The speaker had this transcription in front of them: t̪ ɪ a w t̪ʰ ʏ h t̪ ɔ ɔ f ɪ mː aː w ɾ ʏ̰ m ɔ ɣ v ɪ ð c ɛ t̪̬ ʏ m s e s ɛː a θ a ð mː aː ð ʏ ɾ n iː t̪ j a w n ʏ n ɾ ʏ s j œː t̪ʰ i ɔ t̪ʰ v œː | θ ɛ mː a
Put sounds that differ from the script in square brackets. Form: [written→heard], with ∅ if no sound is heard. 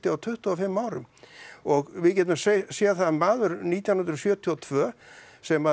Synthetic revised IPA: t̪ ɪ a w t̪ʰ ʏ h t̪ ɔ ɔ f ɪ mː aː w ɾ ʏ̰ m ɔ ɣ v ɪ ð c ɛ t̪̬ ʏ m s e s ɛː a θ a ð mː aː ð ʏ ɾ n iː t̪ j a w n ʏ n ɾ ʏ s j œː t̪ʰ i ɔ t̪ʰ v œː | [θ→s] ɛ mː a